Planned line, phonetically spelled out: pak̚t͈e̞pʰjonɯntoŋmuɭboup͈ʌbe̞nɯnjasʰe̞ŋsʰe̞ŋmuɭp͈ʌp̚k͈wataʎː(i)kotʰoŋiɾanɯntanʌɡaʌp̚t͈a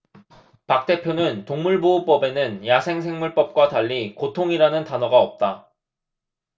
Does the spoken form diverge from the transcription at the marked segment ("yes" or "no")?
no